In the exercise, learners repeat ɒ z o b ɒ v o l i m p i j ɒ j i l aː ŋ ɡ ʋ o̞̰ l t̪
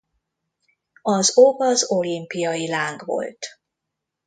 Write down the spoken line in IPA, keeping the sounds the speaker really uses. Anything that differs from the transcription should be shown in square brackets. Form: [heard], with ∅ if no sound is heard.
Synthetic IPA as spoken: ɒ z o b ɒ [z] o l i m p i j ɒ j i l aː ŋ ɡ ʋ o̞̰ l t̪